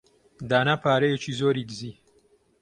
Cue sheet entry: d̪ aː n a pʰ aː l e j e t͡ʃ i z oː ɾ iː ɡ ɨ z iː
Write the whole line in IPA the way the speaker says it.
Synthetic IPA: d̪ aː n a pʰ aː ɾ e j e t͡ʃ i z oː ɾ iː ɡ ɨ z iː